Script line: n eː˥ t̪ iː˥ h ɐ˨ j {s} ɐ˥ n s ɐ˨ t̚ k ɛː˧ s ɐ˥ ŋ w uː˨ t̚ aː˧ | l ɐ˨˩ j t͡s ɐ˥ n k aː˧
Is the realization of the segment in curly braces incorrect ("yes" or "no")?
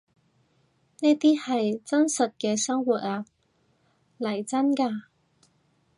yes